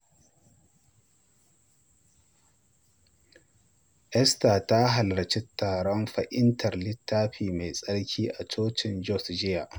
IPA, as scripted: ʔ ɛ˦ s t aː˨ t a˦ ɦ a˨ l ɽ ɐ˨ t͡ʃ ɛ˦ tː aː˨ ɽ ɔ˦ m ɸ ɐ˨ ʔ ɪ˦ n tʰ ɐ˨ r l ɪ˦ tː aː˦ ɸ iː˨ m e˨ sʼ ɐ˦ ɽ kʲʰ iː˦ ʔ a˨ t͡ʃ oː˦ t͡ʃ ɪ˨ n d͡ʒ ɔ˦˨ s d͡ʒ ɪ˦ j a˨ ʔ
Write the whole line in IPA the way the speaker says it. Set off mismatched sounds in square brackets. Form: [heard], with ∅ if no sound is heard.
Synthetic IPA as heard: ʔ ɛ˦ s t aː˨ t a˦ ɦ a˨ l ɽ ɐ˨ t͡ʃ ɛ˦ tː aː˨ ɽ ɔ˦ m ɸ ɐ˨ ʔ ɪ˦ n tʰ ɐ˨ r l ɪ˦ tː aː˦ ɸ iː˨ m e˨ sʼ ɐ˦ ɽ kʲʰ iː˦ ʔ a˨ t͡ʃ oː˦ t͡ʃ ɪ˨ n d͡ʒ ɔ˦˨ s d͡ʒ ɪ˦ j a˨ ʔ